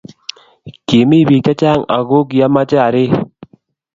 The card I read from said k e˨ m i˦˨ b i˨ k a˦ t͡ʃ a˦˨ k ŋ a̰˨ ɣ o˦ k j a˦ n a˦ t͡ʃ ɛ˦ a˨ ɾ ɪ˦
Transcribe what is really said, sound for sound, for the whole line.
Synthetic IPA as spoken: k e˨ m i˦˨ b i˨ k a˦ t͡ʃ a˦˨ ŋ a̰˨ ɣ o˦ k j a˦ m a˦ t͡ʃ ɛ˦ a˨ ɾ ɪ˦